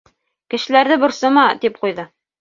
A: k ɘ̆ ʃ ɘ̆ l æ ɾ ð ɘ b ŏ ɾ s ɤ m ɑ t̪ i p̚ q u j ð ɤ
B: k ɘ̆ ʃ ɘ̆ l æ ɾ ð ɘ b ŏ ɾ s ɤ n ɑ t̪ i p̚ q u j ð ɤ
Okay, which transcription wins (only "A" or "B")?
A